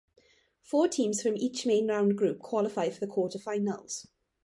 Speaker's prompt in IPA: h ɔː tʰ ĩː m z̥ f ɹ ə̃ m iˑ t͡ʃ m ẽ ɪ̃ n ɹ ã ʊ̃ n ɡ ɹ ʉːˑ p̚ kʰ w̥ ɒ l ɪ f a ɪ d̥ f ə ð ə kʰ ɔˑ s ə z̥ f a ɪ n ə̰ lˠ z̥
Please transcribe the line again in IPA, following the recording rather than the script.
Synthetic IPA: f ɔː tʰ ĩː m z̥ f ɹ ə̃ m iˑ t͡ʃ m ẽ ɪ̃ n ɹ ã ʊ̃ n ɡ ɹ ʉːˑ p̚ kʰ w̥ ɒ l ɪ f a ɪ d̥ f ə ð ə kʰ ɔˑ t ə v̥ f a ɪ n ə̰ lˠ z̥